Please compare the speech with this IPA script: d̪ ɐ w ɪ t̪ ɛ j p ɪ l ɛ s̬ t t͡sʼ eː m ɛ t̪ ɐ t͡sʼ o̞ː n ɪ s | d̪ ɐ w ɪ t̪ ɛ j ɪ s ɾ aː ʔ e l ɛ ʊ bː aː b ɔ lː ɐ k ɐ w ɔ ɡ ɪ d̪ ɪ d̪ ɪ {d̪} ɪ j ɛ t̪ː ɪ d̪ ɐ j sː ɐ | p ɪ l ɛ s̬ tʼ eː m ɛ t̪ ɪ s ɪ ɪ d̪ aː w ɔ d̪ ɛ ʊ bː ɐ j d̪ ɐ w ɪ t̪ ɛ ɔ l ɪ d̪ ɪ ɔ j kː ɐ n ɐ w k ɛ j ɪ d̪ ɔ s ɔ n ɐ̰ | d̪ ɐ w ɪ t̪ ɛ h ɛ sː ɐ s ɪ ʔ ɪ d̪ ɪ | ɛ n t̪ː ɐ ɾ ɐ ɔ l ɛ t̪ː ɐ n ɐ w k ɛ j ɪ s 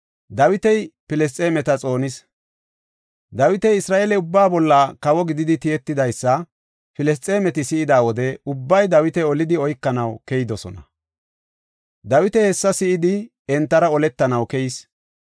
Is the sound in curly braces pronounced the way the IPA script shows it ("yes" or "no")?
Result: no